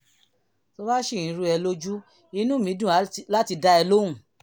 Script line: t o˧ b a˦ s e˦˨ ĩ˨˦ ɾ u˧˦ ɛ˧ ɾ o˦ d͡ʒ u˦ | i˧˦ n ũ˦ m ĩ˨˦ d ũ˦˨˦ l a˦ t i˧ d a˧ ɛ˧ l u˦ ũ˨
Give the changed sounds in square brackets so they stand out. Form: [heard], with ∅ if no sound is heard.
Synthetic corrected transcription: t o˧ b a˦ [ʃ] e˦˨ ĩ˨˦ ɾ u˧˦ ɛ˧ [l] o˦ d͡ʒ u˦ | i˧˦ n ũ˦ m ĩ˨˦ d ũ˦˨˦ l a˦ t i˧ d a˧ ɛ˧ l [o˦] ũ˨

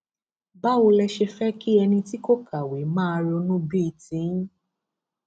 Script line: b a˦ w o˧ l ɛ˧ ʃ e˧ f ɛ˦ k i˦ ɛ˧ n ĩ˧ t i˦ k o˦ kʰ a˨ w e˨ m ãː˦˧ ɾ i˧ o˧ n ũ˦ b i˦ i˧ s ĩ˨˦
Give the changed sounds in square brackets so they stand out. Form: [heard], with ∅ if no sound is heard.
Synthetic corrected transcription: b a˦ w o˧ l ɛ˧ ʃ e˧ f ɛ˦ k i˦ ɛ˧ n ĩ˧ t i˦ k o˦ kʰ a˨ w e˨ m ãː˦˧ ɾ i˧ o˧ n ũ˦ b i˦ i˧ [t] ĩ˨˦

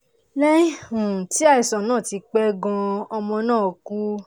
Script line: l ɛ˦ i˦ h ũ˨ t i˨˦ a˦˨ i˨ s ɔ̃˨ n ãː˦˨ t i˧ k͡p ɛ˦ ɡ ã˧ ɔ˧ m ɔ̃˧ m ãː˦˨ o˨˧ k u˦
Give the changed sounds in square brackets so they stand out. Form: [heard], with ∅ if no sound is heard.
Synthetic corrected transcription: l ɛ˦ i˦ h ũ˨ t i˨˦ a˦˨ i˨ s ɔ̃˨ n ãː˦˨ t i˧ k͡p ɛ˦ ɡ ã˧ ɔ˧ m ɔ̃˧ [n] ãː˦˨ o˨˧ k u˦

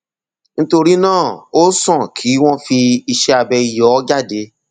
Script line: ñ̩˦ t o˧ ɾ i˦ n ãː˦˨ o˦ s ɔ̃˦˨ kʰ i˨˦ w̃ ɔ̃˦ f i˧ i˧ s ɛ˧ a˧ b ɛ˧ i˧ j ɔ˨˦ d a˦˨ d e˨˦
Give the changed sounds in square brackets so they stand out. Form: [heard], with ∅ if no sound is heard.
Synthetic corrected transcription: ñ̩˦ t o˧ ɾ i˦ n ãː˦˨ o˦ s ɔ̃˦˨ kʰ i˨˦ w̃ ɔ̃˦ f i˧ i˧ [ʃ] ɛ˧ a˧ b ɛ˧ i˧ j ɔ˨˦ [d͡ʒ] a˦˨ d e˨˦

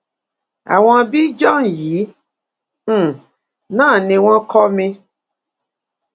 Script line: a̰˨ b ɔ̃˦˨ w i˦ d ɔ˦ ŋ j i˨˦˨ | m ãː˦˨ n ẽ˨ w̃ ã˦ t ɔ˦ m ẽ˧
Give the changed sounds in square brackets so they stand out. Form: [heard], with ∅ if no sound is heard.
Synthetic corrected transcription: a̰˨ [w] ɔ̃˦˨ [b] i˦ [d͡ʒ] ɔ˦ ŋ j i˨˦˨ | [n] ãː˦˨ n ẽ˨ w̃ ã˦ [k] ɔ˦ m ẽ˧

